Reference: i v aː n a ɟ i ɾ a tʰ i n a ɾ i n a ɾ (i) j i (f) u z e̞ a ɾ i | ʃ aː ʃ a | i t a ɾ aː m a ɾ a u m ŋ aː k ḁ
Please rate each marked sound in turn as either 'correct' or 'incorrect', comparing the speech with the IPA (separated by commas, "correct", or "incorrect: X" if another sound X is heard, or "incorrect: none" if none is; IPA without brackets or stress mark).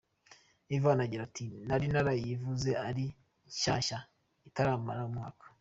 incorrect: a, incorrect: v